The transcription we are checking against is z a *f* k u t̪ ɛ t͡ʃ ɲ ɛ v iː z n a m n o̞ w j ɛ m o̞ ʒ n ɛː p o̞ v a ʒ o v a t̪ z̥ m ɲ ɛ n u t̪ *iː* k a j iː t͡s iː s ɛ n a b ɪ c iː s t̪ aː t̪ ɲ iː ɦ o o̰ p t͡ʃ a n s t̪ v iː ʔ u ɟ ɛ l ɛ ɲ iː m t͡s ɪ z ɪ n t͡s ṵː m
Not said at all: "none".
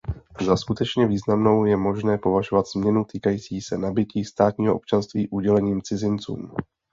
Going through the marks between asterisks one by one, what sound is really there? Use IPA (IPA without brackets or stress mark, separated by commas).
s, iː